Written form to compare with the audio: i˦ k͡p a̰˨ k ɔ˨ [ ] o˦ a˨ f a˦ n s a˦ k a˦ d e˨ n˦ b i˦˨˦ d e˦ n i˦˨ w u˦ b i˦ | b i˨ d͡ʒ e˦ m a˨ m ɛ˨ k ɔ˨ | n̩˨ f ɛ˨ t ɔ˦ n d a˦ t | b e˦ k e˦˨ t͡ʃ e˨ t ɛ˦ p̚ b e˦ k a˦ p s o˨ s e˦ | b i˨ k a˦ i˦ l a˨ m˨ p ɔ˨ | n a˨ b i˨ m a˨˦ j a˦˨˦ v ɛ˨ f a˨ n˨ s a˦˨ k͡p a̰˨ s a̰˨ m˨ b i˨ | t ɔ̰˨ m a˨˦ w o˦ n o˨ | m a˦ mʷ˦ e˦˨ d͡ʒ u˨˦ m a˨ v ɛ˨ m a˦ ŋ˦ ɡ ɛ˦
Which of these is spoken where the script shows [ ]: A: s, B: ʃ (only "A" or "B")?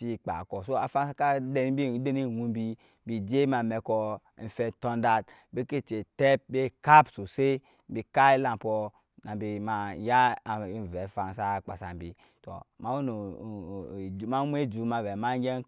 A